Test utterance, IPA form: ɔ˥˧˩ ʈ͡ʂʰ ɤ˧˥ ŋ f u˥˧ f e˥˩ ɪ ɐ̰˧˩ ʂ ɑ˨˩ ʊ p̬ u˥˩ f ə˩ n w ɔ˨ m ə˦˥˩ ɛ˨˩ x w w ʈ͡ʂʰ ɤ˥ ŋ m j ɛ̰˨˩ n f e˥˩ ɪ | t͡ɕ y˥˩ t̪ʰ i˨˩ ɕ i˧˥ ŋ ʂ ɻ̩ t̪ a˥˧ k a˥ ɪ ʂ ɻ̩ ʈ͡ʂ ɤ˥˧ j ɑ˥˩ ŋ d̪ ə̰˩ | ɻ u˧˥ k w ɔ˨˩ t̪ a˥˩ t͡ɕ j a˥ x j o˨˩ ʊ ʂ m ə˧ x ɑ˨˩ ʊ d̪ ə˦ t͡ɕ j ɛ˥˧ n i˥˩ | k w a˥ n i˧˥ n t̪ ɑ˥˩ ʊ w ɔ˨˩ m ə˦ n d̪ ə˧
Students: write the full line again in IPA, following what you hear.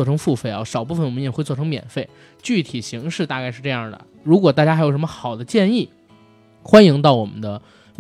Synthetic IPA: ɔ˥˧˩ ʈ͡ʂʰ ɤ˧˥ ŋ f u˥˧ f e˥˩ ɪ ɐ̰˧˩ ʂ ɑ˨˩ ʊ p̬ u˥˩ f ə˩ n w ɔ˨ m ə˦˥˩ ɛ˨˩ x w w ʈ͡ʂʰ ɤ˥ ŋ m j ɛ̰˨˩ n f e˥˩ ɪ | t͡ɕ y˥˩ t̪ʰ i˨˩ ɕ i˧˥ ŋ ʂ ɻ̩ t̪ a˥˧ k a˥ ɪ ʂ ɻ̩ ʈ͡ʂ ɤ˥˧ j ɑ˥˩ ŋ d̪ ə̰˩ | ɻ u˧˥ k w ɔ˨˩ t̪ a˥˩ t͡ɕ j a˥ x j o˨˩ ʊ ʂ m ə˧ x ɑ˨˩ ʊ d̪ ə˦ t͡ɕ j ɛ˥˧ n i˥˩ | x w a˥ n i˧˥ ŋ t̪ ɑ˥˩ ʊ w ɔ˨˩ m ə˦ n d̪ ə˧